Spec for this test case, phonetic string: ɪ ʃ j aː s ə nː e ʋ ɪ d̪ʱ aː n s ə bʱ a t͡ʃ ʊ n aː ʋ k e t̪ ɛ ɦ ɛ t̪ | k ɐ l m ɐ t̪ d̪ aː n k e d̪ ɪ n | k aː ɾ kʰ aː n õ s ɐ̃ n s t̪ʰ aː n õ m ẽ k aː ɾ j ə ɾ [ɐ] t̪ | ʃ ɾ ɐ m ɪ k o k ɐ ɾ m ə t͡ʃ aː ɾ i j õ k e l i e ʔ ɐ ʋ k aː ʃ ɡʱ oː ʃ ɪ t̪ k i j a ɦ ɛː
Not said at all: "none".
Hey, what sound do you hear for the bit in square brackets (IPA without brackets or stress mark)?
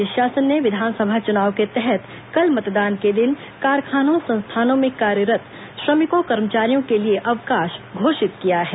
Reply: ə